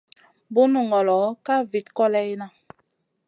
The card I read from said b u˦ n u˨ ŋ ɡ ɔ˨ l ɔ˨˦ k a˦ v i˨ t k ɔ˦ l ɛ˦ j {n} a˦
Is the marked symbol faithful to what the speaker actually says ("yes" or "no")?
yes